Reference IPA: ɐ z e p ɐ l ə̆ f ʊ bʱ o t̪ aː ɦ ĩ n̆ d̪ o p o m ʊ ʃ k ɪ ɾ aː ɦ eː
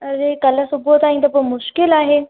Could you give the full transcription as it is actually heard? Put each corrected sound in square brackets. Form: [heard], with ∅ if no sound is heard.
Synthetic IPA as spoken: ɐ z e [k] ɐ l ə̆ [s] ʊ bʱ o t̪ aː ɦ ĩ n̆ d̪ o p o m ʊ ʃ k ɪ [l] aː ɦ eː